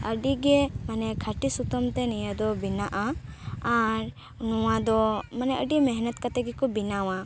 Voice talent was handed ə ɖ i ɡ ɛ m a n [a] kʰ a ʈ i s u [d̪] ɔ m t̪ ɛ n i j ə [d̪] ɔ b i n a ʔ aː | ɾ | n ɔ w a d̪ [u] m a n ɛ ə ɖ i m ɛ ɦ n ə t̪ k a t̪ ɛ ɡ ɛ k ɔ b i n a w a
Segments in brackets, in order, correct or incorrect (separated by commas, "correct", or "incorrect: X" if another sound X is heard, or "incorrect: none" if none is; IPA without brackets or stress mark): incorrect: ɛ, incorrect: t̪, correct, incorrect: ɔ